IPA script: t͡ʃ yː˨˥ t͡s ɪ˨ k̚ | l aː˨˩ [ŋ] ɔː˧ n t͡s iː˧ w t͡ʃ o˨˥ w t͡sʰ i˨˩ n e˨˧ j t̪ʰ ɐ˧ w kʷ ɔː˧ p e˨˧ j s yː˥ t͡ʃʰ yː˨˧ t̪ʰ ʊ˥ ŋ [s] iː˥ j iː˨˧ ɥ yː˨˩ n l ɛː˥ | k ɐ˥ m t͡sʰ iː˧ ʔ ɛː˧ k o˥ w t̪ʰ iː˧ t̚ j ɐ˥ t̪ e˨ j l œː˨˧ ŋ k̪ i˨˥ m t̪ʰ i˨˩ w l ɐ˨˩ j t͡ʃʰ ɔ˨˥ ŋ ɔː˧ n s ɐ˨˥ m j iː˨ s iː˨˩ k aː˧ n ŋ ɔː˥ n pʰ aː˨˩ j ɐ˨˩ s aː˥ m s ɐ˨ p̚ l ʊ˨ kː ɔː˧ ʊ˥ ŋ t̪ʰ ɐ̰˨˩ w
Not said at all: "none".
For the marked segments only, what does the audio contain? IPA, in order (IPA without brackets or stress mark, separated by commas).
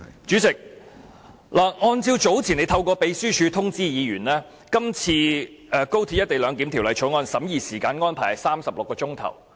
ŋ, t͡s